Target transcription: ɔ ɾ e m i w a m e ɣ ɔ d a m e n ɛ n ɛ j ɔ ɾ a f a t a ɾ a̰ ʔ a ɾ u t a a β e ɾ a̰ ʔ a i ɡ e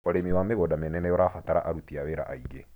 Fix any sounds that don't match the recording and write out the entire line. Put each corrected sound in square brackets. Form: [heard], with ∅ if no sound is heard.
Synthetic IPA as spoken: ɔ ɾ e m i w a m e ɣ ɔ d a m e n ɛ n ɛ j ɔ ɾ a f a t a ɾ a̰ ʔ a ɾ u t [i] a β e ɾ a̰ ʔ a i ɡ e